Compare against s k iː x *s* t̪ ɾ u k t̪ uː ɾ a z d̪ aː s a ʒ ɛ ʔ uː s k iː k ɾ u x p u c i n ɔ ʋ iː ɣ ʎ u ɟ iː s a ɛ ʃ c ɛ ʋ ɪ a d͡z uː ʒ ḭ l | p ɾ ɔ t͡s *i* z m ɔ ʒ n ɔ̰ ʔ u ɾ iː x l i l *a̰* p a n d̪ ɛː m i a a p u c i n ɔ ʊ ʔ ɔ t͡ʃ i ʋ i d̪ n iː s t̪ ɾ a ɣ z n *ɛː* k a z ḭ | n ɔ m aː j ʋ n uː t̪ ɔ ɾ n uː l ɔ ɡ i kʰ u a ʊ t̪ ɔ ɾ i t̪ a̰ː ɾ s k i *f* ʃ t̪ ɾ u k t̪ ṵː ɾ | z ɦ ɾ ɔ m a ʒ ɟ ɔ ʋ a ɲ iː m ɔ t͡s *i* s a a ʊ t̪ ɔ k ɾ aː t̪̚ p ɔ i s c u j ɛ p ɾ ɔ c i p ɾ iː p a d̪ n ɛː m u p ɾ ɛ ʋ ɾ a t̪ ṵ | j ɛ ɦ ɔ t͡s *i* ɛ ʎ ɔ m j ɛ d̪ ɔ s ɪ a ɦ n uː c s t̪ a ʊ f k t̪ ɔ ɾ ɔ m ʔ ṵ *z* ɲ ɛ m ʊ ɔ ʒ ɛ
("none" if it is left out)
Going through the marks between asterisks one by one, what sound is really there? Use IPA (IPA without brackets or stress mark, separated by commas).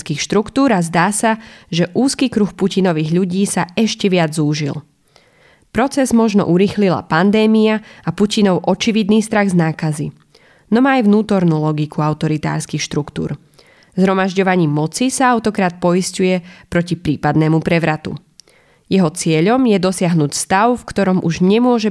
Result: ʃ, ɛ, a̰, aː, x, i, ɪ, ʒ